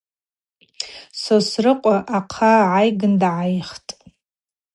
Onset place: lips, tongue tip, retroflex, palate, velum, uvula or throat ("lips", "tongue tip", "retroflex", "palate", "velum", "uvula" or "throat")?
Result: tongue tip